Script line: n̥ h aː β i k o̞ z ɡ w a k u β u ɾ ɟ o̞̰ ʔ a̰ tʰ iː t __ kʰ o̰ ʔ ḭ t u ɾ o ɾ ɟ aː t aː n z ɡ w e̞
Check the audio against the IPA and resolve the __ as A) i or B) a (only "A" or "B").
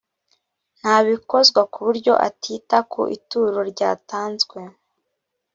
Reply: B